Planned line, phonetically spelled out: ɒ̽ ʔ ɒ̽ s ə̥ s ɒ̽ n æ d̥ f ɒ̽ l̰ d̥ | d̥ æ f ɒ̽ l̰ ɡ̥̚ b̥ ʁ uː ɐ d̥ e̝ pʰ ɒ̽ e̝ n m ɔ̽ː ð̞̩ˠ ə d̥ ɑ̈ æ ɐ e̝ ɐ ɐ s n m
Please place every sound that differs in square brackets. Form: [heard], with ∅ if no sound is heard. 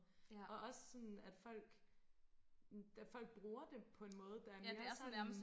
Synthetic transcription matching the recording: ɒ̽ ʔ ɒ̽ s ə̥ s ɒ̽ n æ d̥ f ɒ̽ l̰ [ɡ̥] | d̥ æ f ɒ̽ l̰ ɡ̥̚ b̥ ʁ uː ɐ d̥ e̝ pʰ ɒ̽ e̝ n m ɔ̽ː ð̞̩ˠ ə d̥ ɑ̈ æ ɐ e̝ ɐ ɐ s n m

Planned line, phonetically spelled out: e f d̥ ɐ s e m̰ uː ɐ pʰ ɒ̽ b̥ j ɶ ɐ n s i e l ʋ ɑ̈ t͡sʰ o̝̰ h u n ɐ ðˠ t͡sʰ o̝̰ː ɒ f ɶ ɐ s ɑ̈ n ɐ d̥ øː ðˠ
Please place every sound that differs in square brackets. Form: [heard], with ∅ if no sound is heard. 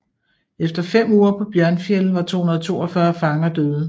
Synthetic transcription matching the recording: e f d̥ ɐ [f] e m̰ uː ɐ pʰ ɒ̽ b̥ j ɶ ɐ n [f] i e l ʋ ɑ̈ t͡sʰ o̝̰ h u n ɐ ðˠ t͡sʰ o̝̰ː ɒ f ɶ ɐ [f] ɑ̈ [ŋ] ɐ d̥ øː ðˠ

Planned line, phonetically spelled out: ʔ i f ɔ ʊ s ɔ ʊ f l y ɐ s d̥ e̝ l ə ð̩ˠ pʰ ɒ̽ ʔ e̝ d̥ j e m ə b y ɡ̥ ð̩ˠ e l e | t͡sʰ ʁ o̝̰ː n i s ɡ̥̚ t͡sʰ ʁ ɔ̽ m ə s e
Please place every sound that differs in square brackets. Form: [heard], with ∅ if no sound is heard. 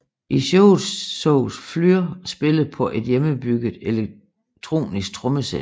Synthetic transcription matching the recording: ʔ i [ɕ] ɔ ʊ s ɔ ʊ f l y ɐ s [b̥] e̝ l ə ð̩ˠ pʰ ɒ̽ ʔ e̝ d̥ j e m ə b y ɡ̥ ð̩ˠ e l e | t͡sʰ ʁ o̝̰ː n i s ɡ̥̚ t͡sʰ ʁ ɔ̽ m ə s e

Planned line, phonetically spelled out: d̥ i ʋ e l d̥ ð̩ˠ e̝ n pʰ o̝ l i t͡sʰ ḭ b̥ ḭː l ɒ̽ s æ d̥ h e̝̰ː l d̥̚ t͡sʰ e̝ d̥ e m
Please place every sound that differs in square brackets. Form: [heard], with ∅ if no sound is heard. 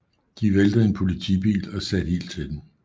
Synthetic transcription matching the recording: d̥ i ʋ e l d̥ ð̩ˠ e̝ n pʰ o̝ l i t͡sʰ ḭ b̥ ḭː l ɒ̽ s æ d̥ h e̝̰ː l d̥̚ t͡sʰ e̝ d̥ e m

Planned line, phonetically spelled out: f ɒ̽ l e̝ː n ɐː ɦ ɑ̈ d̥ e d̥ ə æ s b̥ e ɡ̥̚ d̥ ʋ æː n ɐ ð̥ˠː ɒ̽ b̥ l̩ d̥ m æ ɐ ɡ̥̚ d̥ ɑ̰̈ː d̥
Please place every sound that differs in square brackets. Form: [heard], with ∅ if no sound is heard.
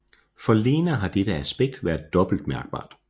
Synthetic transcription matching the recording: f ɒ̽ l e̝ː n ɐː ɦ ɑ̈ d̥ e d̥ ə æ s b̥ e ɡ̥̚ d̥ ʋ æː [∅] ɐ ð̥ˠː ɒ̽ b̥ l̩ d̥ m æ ɐ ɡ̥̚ [b̥] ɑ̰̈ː d̥

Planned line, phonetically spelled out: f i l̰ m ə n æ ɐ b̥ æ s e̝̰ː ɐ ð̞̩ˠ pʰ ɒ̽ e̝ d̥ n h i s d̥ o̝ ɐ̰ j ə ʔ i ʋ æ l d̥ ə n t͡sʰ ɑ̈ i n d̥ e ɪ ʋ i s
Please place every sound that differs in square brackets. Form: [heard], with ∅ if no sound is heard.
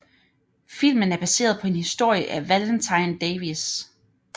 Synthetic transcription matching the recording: f i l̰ m ə n æ ɐ b̥ æ s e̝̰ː ɐ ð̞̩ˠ pʰ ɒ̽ e̝ [∅] n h i s d̥ o̝ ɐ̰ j ə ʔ [æ] ʋ æ l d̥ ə n t͡sʰ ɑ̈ [ɪ] n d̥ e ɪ ʋ i s

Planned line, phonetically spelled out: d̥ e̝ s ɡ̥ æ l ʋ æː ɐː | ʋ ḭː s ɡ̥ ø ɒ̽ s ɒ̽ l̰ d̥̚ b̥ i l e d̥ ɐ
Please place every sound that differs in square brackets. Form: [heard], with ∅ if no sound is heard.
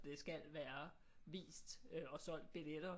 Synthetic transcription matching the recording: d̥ e̝ s ɡ̥ æ l ʋ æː [ɐ] | ʋ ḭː s [d̥] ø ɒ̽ s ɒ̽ l̰ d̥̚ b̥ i l e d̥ ɐ

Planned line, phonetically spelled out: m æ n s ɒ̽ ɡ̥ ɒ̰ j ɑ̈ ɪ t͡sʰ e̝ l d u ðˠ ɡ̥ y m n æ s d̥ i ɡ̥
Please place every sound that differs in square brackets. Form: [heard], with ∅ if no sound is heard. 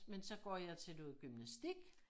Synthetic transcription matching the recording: m [e] n s ɒ̽ ɡ̥ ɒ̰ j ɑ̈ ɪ t͡sʰ e̝ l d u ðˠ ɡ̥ y m n æ s d̥ i ɡ̥

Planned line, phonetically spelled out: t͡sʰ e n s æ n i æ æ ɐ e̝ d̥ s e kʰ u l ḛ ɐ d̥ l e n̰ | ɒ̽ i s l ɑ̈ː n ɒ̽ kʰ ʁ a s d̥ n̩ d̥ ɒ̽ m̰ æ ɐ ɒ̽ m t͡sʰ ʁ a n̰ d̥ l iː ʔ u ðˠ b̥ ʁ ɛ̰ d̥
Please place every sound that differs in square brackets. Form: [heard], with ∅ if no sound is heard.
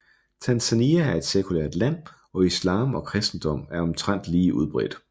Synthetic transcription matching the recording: t͡sʰ [æ] n s æ n i æ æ ɐ e̝ d̥ s e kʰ u l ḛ ɐ d̥ l [æ] n̰ | ɒ̽ i s l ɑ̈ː [m] ɒ̽ kʰ ʁ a s d̥ n̩ d̥ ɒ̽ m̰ æ ɐ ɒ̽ m t͡sʰ ʁ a n̰ d̥ l iː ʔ u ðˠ b̥ ʁ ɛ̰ d̥

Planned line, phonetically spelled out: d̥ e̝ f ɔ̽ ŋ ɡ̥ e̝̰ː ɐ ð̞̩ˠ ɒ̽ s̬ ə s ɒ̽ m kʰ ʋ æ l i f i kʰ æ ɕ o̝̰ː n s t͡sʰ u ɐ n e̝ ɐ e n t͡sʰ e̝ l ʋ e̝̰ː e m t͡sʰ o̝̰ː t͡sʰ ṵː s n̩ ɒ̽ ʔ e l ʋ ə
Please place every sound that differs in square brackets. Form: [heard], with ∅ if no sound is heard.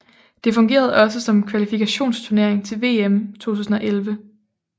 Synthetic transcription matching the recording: d̥ e̝ f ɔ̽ ŋ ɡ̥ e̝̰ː ɐ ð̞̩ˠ ɒ̽ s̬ ə s ɒ̽ m kʰ ʋ æ l i f i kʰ æ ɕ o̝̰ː n s t͡sʰ u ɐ n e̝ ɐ e [ŋ] t͡sʰ e̝ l ʋ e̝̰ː e m t͡sʰ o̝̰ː t͡sʰ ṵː s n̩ ɒ̽ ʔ e l ʋ ə

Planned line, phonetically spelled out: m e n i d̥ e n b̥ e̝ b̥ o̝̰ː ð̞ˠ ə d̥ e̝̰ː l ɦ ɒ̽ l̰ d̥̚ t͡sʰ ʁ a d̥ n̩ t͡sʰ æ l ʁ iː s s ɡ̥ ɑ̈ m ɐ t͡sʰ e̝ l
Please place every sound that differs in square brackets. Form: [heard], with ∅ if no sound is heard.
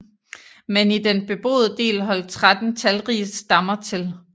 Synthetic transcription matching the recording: m e n i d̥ e n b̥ e̝ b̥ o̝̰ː ð̞ˠ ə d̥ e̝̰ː l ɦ ɒ̽ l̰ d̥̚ t͡sʰ ʁ a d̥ n̩ t͡sʰ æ l ʁ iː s s [d̥] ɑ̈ m ɐ t͡sʰ e̝ l

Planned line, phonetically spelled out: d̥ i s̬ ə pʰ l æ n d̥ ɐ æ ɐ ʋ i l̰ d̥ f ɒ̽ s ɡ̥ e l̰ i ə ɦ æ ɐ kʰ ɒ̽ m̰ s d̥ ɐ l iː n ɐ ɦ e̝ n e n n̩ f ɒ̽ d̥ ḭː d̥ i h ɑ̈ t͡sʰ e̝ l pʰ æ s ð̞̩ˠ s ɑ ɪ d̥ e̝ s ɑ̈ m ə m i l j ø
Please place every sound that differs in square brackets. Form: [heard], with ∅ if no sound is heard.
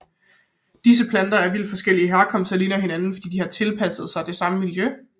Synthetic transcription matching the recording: d̥ i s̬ ə pʰ l æ n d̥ ɐ æ ɐ ʋ i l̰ d̥ f ɒ̽ s ɡ̥ e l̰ i ə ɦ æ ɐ kʰ ɒ̽ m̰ s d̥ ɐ l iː n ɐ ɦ e̝ n [æ] n n̩ f ɒ̽ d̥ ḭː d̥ i h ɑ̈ t͡sʰ e̝ l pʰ æ s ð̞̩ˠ s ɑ ɪ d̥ e̝ s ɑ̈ m ə m i l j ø

